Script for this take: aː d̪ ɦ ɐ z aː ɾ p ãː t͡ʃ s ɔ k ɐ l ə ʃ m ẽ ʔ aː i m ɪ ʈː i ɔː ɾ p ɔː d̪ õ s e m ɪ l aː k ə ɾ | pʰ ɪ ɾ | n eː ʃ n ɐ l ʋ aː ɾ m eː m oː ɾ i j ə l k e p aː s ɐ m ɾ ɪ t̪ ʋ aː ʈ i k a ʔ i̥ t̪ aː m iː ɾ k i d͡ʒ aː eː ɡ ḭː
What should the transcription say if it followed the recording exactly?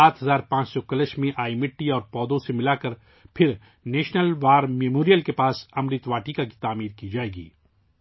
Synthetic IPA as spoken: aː t̪ ɦ ɐ z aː ɾ p ãː t͡ʃ s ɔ k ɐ l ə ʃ m ẽ ʔ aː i m ɪ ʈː i ɔː ɾ p ɔː d̪ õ s e m ɪ l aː k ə ɾ | pʰ ɪ ɾ | n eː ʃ n ə l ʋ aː ɾ m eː m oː ɾ i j ə l k e p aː s ɐ m ɾ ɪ t̪ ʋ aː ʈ i k a k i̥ t̪ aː m iː ɾ k i d͡ʒ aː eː ɡ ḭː

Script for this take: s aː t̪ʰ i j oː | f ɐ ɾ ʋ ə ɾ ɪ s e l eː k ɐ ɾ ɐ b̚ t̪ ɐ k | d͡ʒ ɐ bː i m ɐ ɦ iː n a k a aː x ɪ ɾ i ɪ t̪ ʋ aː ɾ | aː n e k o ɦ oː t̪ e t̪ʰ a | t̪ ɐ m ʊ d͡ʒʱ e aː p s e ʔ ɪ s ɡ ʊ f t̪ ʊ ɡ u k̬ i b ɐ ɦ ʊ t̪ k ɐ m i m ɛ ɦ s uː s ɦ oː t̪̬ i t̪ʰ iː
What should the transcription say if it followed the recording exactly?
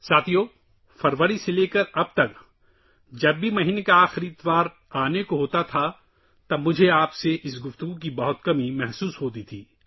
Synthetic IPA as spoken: s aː t̪ʰ i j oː | f ɐ ɾ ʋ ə ɾ i s e l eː k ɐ ɾ ɐ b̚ t̪ ɐ k | d͡ʒ ɐ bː i m ɐ ɦ iː n e k a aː x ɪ ɾ i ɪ t̪ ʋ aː ɾ | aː n e k o ɦ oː t̪ a t̪ʰ a | t̪ ɐ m ʊ d͡ʒʱ e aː p s e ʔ ɪ s ɡ ʊ f t̪ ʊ ɡ u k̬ i b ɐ ɦ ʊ t̪ k ɐ m i m ɛ ɦ s uː s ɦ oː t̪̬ i t̪ʰ iː

